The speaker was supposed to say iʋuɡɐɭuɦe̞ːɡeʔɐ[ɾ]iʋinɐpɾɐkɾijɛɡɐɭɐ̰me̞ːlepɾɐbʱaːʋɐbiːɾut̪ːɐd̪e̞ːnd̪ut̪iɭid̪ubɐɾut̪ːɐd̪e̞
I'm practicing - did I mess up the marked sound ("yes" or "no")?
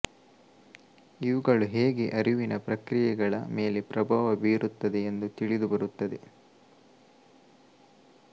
no